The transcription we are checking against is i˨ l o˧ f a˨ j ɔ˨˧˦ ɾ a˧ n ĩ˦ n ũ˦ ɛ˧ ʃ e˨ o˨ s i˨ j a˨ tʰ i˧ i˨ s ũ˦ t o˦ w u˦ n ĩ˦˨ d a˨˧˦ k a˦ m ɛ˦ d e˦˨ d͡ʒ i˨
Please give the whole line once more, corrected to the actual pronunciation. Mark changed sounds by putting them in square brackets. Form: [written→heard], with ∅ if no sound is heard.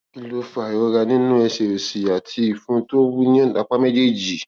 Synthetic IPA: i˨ l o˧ f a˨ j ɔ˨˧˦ ɾ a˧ n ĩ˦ n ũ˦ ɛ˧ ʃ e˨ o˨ s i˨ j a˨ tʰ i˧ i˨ [s→f] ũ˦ t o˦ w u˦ n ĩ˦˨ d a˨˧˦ [k→k͡p] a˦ m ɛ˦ [d→d͡ʒ] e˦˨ d͡ʒ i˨